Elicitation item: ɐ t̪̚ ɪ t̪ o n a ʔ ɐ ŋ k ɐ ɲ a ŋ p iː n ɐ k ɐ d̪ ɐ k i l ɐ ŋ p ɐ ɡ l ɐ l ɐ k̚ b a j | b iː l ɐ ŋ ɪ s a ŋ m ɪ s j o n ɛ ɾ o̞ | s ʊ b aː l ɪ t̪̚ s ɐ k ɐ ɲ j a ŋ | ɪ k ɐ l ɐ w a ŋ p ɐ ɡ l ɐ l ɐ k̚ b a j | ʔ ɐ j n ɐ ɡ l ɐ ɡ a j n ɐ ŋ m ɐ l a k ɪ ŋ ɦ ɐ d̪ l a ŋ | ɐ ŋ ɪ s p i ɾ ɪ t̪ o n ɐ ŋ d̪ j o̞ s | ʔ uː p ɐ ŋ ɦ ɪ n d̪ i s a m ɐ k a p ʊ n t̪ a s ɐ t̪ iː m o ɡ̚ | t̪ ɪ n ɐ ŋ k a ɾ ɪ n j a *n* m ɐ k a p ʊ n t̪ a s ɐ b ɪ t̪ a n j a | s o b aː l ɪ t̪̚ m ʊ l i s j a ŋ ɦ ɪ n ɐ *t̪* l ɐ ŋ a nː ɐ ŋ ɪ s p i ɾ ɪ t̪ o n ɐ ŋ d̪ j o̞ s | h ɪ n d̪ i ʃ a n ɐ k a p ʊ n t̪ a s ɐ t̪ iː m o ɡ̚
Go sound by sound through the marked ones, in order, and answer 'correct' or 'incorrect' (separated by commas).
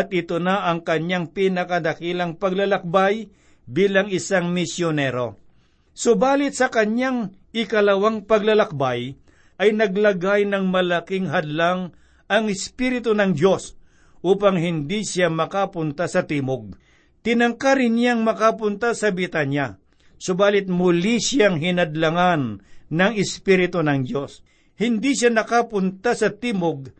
incorrect, incorrect